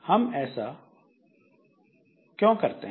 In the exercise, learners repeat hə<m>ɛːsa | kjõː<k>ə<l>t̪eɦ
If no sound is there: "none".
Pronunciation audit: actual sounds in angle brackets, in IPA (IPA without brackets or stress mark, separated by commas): m, k, ɾ